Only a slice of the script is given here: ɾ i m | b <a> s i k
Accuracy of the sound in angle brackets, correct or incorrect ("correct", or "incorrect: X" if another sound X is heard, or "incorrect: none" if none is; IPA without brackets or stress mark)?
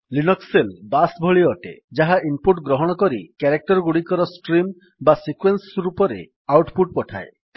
correct